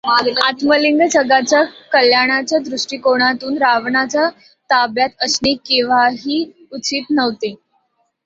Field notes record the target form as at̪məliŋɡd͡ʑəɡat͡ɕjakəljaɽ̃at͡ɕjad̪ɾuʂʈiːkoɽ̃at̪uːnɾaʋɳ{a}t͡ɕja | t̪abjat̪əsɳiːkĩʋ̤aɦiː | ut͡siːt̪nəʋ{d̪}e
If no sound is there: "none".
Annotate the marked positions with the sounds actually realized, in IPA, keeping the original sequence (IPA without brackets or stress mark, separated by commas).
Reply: a, t̪